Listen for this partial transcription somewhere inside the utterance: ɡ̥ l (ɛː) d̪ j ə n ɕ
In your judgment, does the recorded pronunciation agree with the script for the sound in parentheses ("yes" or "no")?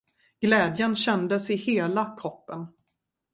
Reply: yes